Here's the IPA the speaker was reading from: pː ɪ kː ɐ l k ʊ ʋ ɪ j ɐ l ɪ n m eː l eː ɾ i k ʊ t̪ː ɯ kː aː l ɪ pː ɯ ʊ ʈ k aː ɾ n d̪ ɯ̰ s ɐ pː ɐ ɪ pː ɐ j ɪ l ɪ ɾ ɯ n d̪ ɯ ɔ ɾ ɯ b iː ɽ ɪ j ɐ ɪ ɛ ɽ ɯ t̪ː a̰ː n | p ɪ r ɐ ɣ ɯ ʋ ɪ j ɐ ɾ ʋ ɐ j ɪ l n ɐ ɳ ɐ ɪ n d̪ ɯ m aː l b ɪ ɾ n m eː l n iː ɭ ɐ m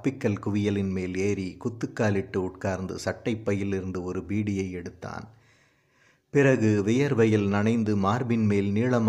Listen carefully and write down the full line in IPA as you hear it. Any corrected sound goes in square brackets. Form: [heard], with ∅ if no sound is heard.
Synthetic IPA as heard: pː ɪ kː ɐ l k ʊ ʋ ɪ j ɐ l ɪ n m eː l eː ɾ i k ʊ t̪ː ɯ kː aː l ɪ [ʈː] ɯ ʊ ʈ k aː ɾ n d̪ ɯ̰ s ɐ [ʈː] ɐ ɪ pː ɐ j ɪ l ɪ ɾ ɯ n d̪ ɯ ɔ ɾ ɯ b iː ɽ ɪ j ɐ ɪ ɛ ɽ ɯ t̪ː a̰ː n | p ɪ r ɐ ɣ ɯ ʋ ɪ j ɐ ɾ ʋ ɐ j ɪ l n ɐ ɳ ɐ ɪ n d̪ ɯ m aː [ɾ] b ɪ [∅] n m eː l n iː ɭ ɐ m